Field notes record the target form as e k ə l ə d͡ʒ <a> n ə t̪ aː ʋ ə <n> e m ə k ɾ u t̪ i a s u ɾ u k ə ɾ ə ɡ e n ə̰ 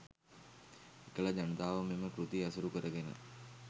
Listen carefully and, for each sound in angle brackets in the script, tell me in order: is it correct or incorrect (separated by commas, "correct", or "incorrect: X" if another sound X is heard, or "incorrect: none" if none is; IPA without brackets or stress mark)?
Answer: correct, incorrect: m